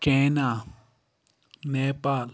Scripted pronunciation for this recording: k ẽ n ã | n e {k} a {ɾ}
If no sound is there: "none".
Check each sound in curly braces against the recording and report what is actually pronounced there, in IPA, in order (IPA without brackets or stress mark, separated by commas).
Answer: p, l